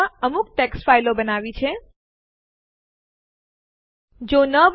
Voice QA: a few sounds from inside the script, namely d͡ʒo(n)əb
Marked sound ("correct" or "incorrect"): correct